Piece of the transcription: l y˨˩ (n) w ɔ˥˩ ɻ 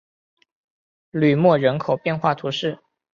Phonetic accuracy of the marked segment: incorrect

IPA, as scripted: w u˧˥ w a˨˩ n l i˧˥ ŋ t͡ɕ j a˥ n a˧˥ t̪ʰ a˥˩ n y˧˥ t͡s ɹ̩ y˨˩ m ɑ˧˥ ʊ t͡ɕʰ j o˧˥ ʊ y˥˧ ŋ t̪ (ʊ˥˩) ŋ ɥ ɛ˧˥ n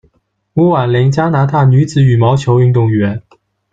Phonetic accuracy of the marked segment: correct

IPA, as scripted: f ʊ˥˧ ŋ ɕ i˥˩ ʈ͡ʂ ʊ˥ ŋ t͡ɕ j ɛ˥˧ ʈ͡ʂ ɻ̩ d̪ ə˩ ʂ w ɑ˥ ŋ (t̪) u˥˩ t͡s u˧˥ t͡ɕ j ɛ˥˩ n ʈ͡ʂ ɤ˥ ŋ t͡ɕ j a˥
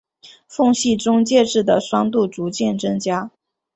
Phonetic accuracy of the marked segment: correct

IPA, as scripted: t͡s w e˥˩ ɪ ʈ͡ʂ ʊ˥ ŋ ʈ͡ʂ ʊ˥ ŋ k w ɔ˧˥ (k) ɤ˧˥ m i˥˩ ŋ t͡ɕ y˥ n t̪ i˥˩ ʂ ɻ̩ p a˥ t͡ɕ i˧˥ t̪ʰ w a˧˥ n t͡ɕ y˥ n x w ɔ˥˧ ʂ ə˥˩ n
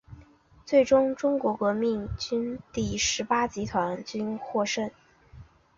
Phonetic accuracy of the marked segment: correct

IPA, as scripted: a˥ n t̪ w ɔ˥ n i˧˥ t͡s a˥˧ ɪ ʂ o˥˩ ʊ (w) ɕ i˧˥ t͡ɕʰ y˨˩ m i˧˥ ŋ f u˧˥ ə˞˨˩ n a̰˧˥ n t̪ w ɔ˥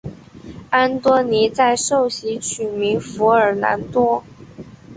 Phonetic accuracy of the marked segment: incorrect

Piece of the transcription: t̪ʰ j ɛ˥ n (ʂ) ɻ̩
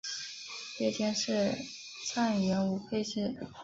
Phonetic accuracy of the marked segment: correct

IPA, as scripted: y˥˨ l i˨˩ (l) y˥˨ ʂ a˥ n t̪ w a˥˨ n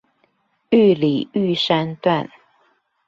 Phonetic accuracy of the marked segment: incorrect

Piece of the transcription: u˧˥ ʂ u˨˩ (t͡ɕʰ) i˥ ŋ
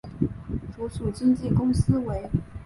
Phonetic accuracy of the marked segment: incorrect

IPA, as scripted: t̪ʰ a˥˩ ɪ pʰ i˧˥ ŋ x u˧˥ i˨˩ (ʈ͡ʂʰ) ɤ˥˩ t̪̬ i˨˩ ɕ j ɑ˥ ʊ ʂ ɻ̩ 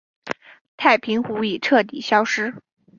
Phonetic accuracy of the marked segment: correct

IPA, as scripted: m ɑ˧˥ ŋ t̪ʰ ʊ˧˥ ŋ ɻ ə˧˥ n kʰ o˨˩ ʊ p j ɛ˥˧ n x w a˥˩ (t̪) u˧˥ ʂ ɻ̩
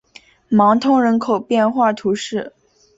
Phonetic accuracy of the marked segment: incorrect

